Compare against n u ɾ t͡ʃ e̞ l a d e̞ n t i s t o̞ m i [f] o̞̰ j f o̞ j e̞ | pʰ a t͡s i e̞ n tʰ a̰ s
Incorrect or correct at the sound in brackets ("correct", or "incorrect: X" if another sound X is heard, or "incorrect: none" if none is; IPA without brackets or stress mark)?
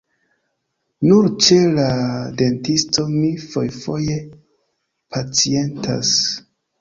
correct